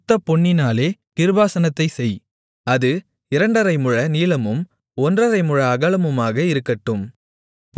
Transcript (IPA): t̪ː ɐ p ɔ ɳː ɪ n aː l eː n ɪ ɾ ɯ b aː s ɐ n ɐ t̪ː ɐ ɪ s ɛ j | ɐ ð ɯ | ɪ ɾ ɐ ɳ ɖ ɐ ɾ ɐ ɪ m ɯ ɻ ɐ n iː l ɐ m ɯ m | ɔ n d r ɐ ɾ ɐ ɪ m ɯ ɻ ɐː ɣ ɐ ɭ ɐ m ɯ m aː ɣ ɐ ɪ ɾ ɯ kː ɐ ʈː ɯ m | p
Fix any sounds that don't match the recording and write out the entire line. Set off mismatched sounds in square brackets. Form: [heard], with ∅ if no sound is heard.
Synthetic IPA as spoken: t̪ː ɐ p ɔ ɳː ɪ n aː l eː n ɪ ɾ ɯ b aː s ɐ n ɐ t̪ː ɐ ɪ s ɛ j | ɐ ð ɯ | ɪ ɾ ɐ ɳ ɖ ɐ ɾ ɐ ɪ m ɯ ɻ ɐ n iː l ɐ m ɯ m | ɔ n d r ɐ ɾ ɐ ɪ m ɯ ɻ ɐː ɣ ɐ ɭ ɐ m ɯ m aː ɣ ɐ ɪ ɾ ɯ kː ɐ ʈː ɯ m | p